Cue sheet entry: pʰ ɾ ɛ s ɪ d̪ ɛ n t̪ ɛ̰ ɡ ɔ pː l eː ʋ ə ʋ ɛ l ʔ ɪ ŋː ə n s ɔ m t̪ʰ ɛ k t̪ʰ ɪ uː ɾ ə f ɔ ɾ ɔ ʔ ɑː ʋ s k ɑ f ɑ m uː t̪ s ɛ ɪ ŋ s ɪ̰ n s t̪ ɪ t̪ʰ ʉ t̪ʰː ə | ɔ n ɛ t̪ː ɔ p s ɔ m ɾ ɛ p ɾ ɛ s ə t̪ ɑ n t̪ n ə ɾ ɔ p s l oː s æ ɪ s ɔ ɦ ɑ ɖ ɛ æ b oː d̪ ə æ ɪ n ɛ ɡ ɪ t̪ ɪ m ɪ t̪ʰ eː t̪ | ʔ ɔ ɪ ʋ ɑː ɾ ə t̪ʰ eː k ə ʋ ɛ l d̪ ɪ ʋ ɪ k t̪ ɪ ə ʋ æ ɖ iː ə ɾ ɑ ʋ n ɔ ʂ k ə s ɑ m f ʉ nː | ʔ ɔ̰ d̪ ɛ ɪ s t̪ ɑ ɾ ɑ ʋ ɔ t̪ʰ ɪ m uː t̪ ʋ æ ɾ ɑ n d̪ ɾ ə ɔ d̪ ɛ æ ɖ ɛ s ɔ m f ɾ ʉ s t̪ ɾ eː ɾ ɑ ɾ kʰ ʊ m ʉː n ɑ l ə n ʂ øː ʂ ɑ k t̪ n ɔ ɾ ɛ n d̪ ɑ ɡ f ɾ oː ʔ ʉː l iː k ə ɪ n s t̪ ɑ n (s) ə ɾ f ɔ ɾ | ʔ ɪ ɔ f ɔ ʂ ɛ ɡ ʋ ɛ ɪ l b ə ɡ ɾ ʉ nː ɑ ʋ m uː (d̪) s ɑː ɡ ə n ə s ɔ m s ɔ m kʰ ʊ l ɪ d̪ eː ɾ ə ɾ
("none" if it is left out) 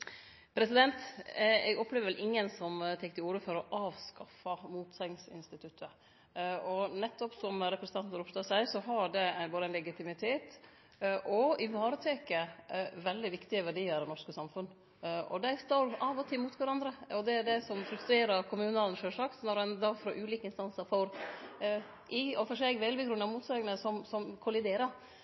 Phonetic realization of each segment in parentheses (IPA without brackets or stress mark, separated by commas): s, t̪